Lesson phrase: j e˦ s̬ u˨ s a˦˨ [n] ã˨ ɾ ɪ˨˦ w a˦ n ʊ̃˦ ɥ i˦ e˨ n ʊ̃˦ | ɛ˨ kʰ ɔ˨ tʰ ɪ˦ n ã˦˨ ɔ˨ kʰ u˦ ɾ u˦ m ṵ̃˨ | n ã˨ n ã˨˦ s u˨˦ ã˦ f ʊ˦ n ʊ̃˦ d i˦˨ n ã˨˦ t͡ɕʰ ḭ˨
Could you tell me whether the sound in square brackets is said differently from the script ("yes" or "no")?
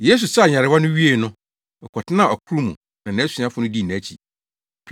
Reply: yes